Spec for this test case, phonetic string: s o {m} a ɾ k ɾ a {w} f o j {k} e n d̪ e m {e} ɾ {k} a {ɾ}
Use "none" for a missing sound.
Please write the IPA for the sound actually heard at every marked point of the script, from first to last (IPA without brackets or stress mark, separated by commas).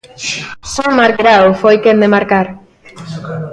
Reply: m, w, k, a, k, ɾ